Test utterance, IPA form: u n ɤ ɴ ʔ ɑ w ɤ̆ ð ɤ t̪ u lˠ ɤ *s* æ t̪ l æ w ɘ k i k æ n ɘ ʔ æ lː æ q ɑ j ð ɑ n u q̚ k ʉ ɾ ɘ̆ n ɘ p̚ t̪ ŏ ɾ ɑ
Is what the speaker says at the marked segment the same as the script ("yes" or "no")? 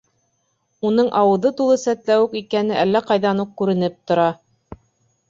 yes